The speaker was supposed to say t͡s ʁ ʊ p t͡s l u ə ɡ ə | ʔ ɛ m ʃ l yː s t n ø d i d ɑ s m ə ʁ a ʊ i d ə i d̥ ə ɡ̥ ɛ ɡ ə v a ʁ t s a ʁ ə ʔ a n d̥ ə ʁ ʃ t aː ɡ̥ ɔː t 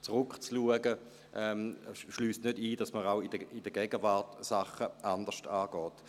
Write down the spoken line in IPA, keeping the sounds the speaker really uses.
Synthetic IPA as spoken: t͡s ʁ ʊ k t͡s l u ə ɡ ə | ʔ ɛ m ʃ l yː s t n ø d iː d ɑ s m ə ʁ a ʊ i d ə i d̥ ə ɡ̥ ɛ ɡ ə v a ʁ t s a χ ə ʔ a n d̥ ə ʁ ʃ t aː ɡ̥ ɔː t